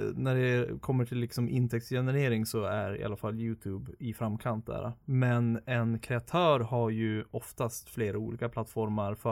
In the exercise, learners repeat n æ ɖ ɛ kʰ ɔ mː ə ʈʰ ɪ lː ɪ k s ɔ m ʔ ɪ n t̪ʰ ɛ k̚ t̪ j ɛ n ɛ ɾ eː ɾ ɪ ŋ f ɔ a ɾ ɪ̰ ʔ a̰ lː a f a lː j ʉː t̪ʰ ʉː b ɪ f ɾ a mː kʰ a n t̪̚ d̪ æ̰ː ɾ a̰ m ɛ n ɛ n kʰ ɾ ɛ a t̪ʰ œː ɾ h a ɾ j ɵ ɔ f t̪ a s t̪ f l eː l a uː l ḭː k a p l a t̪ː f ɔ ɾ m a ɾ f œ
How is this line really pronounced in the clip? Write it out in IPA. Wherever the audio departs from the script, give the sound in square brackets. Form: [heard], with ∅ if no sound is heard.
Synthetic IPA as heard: n æ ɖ ɛ kʰ ɔ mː ə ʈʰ ɪ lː ɪ k s ɔ m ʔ ɪ n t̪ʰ ɛ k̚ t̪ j ɛ n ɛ ɾ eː ɾ ɪ ŋ [s] ɔ [æ] ɾ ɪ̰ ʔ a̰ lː a f a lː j ʉː t̪ʰ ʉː b ɪ f ɾ a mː kʰ a n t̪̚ d̪ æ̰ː ɾ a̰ m ɛ n ɛ n kʰ ɾ ɛ a t̪ʰ œː ɾ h a ɾ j ɵ ɔ f t̪ a s t̪ f l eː [ɾ] a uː l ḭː k a p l a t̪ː f ɔ ɾ m a ɾ f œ